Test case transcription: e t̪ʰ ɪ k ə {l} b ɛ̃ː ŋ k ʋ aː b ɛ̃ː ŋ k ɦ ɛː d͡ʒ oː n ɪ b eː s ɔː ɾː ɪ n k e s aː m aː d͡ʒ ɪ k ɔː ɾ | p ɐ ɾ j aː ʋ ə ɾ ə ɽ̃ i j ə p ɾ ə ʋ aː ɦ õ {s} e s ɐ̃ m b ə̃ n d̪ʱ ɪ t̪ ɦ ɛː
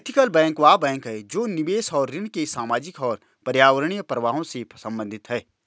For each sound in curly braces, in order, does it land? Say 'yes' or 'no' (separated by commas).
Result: yes, yes